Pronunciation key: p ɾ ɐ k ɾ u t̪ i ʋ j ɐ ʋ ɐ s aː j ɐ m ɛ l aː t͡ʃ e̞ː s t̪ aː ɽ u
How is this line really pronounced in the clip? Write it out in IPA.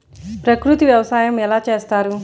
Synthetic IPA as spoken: p ɾ ɐ k ɾ u t̪ i ʋ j ɐ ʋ ɐ s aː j ɐ m ɛ l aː t͡ʃ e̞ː s t̪ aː ɾ u

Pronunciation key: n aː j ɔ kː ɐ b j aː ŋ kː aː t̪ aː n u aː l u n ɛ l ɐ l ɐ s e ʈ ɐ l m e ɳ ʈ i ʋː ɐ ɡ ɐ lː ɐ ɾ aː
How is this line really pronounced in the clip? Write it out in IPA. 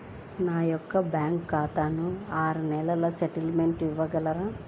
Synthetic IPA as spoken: n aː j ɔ kː ɐ b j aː ŋ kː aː t̪ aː n u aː ɾ u n ɛ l ɐ l ɐ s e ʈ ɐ l m e ɳ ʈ i ʋː ɐ ɡ ɐ l ɐ ɾ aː

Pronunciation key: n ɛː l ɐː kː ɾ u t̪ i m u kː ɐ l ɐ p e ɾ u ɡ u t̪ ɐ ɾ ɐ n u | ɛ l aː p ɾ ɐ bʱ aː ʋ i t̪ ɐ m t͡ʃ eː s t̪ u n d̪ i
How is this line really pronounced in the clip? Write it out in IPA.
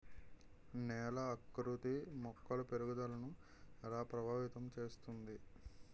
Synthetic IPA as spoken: n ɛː l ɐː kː ɾ u t̪ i m ɔ kː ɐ l ɐ p e ɾ u ɡ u d̪ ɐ l ɐ n u | ɛ l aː p ɾ ɐ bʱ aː ʋ i t̪ ɐ m t͡ʃ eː s t̪ u n d̪ i

